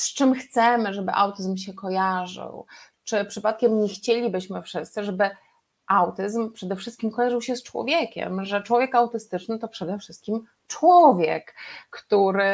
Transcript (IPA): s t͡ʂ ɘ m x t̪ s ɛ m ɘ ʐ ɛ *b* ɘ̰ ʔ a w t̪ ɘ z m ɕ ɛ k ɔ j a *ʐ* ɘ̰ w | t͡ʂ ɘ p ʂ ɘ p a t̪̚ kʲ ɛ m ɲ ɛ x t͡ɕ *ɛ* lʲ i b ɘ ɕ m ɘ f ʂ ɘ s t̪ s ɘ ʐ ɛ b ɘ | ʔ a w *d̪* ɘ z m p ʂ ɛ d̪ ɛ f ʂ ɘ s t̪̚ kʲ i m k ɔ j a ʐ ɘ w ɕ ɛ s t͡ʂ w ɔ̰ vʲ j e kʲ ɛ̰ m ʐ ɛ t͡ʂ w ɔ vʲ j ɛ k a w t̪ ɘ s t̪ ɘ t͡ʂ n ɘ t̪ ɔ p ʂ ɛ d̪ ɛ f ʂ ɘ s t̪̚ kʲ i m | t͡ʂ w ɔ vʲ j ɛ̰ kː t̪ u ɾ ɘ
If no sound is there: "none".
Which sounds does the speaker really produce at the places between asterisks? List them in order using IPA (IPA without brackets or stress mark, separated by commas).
b, ʐ, e, t̪